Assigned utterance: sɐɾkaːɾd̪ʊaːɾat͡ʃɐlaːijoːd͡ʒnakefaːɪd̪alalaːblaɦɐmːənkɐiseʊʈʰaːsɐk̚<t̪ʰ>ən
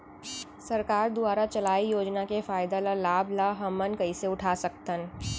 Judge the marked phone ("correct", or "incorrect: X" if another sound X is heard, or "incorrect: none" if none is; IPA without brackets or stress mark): incorrect: t̪